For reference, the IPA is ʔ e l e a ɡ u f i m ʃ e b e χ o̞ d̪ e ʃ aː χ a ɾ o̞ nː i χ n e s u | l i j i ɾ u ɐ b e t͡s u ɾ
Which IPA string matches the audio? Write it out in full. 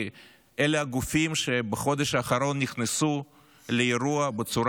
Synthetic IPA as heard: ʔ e l e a ɡ u f i m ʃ e b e χ o̞ d̪ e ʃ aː χ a ɾ o̞ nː i χ n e s u | l e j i ɾ u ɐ b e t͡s u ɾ